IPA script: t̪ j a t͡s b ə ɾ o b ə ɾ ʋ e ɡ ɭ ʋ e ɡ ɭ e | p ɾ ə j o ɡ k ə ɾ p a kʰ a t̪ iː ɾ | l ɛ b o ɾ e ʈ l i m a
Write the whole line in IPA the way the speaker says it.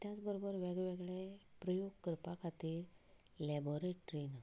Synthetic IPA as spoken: t̪ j a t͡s b ə ɾ o b ə ɾ ʋ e ɡ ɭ ʋ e ɡ ɭ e | p ɾ ə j o ɡ k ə ɾ p a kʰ a t̪ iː ɾ | l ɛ b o ɾ e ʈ ɾ i n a